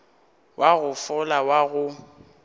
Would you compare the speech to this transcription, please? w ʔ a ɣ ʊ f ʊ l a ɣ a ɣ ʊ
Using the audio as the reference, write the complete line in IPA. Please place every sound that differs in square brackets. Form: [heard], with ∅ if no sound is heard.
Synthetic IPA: w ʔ a ɣ ʊ f ʊ l a [w] a ɣ ʊ